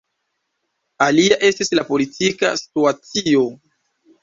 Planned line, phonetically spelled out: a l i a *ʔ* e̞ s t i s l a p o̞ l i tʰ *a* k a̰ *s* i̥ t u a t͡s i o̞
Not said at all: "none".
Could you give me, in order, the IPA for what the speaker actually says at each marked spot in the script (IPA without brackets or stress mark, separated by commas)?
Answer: ʔ, i, s